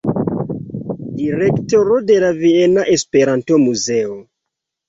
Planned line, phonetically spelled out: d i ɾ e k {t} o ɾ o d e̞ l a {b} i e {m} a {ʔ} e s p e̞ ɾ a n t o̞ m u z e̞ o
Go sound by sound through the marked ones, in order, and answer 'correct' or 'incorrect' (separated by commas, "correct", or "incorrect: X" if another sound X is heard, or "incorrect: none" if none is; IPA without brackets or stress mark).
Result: correct, incorrect: v, incorrect: n, correct